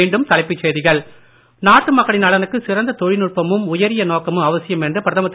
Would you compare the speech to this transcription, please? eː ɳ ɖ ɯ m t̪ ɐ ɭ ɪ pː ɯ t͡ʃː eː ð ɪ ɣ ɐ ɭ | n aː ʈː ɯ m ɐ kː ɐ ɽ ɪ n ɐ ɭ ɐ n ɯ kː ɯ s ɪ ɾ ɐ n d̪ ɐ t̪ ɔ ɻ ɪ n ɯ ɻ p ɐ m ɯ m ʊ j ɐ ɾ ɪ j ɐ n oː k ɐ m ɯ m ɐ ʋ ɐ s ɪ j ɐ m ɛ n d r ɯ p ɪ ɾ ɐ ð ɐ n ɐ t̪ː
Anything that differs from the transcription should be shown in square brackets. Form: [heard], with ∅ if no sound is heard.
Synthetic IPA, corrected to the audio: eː ɳ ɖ ɯ m t̪ ɐ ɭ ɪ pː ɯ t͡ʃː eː ð ɪ ɣ ɐ ɭ | n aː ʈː ɯ m ɐ kː ɐ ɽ ɪ n ɐ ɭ ɐ n ɯ kː ɯ s ɪ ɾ ɐ n d̪ ɐ t̪ ɔ ɻ ɪ n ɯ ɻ p ɐ m ɯ m ʊ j ɐ ɾ ɪ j ɐ n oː k ɐ m ɯ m ɐ ʋ ɐ s ɪ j ɐ m ɛ n d r ɯ p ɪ ɾ ɐ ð ɐ [m] ɐ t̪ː